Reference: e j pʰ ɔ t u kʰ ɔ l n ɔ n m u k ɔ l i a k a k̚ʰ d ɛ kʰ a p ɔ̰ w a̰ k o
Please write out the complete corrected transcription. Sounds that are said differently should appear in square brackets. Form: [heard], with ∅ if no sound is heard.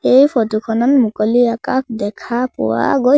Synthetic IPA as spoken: e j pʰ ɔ t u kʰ ɔ [∅] n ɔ n m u k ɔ l i a k a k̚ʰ d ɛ kʰ a p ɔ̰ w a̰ [ɡ] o

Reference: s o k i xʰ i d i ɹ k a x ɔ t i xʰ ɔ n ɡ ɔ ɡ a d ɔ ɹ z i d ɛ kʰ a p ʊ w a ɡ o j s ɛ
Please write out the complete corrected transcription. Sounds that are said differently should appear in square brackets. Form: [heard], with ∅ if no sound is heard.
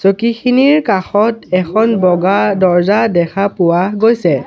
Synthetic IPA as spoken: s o k i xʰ i [n] i ɹ k a x ɔ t [ɛ] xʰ ɔ n [b] ɔ ɡ a d ɔ ɹ z [a] d ɛ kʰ a p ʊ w a ɡ o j s ɛ

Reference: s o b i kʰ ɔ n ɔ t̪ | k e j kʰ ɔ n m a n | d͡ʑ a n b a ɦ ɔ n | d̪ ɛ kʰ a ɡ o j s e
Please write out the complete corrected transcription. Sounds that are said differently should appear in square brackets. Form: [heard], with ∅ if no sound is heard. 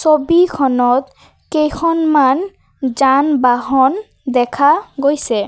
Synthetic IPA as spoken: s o b i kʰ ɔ n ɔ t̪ | k e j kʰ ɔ n m a n | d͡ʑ a n b a ɦ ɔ n | d̪ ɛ kʰ a ɡ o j s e

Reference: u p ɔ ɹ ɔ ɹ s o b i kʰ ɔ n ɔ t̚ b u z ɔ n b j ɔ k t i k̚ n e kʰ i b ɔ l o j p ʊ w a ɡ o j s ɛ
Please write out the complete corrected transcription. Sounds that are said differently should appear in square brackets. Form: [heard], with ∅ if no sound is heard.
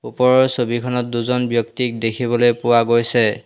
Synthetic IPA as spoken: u p ɔ ɹ ɔ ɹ s o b i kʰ ɔ n ɔ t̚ [d] u z ɔ n b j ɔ k t i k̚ [d] e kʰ i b ɔ l o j p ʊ w a ɡ o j s ɛ

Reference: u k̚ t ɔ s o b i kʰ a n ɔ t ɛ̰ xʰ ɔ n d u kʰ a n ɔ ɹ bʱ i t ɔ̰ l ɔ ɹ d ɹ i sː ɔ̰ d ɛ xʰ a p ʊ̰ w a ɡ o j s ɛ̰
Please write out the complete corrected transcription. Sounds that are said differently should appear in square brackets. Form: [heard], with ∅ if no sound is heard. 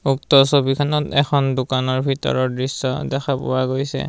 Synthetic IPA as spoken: u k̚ t ɔ s o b i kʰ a n ɔ t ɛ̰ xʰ ɔ n d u [k] a n ɔ ɹ bʱ i t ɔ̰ [ɹ] ɔ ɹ d ɹ i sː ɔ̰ d ɛ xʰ a p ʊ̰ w a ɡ o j s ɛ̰

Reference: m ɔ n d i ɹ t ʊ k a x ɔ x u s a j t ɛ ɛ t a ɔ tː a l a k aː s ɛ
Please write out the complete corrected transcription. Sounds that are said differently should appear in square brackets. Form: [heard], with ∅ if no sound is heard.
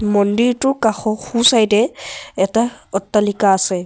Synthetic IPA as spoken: m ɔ n d i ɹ t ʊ k a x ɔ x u s a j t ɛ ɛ t a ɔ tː a l [i] k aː s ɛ

